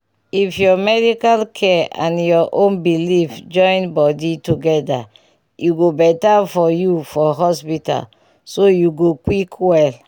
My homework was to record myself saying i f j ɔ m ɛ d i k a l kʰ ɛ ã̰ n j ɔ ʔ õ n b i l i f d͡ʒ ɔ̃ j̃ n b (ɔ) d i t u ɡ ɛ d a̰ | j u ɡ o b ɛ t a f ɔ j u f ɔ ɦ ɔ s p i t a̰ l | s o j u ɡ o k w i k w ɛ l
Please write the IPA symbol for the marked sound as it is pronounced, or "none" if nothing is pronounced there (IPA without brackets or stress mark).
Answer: ɔ